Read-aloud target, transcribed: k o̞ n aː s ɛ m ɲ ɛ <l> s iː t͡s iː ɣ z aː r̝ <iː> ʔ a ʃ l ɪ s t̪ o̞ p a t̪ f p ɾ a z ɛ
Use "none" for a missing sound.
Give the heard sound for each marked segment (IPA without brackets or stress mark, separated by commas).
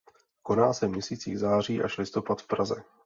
none, iː